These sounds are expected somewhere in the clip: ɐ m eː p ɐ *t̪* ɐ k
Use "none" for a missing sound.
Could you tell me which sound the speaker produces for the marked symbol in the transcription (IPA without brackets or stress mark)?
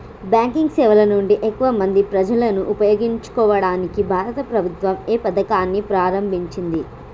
d̪